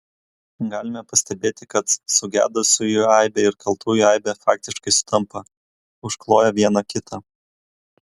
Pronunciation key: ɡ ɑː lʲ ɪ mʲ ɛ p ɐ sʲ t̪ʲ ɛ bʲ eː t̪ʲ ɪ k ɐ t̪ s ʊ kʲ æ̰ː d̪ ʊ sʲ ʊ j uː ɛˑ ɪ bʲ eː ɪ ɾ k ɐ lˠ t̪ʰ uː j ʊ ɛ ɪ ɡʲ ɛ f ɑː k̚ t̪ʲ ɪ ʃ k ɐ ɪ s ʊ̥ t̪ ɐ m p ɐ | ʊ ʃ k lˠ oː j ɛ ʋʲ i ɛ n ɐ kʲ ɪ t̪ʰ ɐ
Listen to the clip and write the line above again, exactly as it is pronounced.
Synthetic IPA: ɡ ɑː lʲ ɪ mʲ ɛ p ɐ sʲ t̪ʲ ɛ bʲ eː t̪ʲ ɪ k ɐ t̪ s ʊ ɡʲ æ̰ː d̪ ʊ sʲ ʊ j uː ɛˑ ɪ bʲ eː ɪ ɾ k ɐ lˠ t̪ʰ uː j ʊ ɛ ɪ bʲ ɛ f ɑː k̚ t̪ʲ ɪ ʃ k ɐ ɪ s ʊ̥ t̪ ɐ m p ɐ | ʊ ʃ k lˠ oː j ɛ ʋʲ i ɛ n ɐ kʲ ɪ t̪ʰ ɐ